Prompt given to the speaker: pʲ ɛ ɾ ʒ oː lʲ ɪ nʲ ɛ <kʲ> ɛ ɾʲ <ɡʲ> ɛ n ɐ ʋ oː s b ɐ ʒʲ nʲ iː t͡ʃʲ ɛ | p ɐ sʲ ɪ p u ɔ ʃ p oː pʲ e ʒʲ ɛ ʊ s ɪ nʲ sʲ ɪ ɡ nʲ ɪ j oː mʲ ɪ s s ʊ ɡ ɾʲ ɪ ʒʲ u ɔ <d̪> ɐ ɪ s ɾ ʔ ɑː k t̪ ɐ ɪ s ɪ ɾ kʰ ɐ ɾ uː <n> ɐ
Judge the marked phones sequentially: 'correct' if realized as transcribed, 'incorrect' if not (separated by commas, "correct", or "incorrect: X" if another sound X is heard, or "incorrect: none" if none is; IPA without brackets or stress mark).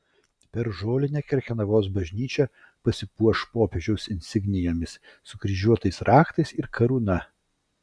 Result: correct, incorrect: kʲ, incorrect: t̪, correct